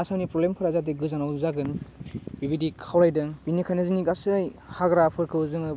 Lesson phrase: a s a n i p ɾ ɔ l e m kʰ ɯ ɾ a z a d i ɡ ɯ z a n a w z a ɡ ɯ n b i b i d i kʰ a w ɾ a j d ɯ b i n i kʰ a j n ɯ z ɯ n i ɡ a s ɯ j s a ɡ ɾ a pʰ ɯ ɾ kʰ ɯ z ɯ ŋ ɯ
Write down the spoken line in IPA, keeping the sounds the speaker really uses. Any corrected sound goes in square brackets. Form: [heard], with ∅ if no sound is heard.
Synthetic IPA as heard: a s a n i p ɾ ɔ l e m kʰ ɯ ɾ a z a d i ɡ ɯ z a n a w z a ɡ ɯ n b i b i d i kʰ a w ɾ a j d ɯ b i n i kʰ a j n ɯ z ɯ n i ɡ a s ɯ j [h] a ɡ ɾ a pʰ ɯ ɾ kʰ ɯ z ɯ ŋ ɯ